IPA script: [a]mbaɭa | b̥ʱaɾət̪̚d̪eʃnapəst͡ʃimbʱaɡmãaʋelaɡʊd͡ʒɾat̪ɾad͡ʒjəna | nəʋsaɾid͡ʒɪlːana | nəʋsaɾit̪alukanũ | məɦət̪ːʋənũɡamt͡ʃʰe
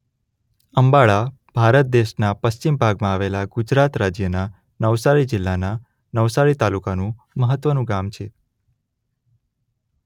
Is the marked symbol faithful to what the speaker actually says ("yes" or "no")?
no